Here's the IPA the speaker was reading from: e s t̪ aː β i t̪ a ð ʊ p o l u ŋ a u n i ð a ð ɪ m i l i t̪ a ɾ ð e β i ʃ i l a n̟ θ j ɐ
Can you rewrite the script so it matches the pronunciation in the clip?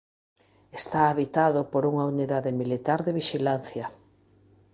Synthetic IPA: e s t̪ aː β i t̪ a ð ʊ p o ɾ u ŋ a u n i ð a ð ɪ m i l i t̪ a ɾ ð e β i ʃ i l a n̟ θ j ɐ